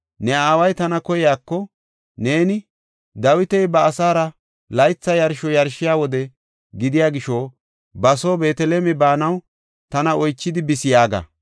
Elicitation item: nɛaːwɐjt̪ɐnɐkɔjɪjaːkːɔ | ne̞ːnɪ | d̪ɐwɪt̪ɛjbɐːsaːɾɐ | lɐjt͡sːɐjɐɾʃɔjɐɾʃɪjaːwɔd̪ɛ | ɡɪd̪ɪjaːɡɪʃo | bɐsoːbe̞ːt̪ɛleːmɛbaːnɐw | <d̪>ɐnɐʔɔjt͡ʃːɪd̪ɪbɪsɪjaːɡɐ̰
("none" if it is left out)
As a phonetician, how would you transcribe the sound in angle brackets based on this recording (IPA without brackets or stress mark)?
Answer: t̪